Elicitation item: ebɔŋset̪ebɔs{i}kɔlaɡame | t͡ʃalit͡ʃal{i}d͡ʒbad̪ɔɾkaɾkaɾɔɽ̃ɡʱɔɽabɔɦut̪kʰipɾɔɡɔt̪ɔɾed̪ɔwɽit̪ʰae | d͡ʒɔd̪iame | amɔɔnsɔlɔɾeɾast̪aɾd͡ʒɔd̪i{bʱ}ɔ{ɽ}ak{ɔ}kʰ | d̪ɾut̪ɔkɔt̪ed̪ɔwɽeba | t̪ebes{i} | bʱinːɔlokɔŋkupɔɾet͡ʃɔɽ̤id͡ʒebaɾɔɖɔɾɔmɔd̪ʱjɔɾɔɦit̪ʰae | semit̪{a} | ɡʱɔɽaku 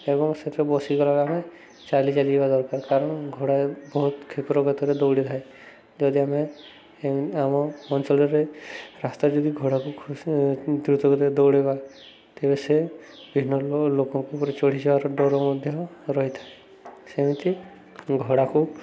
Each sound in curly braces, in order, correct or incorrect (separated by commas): correct, correct, incorrect, correct, incorrect, incorrect, incorrect